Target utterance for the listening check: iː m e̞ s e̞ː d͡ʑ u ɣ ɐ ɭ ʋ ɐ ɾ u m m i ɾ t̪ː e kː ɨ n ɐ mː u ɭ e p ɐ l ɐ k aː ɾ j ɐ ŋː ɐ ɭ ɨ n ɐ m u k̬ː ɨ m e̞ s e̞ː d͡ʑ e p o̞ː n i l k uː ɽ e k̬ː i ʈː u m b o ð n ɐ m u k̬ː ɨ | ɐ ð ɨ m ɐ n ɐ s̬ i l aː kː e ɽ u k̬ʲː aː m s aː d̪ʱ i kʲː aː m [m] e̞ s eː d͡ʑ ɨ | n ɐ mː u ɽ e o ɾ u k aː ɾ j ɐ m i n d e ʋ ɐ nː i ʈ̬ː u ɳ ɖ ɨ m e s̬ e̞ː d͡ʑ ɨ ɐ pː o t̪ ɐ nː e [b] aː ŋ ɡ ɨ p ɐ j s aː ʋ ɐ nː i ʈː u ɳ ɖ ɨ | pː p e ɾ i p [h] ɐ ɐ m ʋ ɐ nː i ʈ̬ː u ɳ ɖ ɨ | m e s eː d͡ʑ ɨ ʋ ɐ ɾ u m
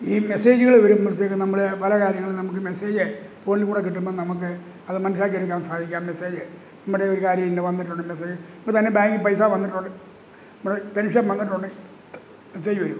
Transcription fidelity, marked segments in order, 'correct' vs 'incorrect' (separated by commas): correct, correct, incorrect